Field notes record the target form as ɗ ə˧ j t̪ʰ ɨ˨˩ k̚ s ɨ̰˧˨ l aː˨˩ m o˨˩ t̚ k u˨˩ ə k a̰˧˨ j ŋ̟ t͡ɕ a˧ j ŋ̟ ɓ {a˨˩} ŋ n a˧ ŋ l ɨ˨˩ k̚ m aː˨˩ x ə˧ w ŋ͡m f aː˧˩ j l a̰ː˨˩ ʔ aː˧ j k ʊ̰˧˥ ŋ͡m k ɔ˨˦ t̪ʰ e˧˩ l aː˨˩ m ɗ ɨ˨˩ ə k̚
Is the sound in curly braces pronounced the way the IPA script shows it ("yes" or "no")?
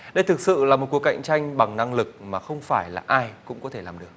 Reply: yes